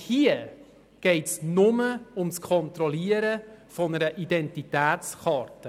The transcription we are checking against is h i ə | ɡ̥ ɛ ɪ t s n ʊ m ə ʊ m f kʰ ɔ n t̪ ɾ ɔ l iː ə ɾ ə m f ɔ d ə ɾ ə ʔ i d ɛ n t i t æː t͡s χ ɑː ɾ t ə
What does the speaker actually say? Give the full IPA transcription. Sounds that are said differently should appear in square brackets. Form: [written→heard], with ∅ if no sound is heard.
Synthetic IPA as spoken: h i ə | ɡ̥ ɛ ɪ t s n ʊ m ə ʊ m [f→s] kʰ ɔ n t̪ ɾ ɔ l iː ə ɾ ə [m→∅] f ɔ [d→n] ə ɾ ə ʔ i d ɛ n t i t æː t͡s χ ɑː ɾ t ə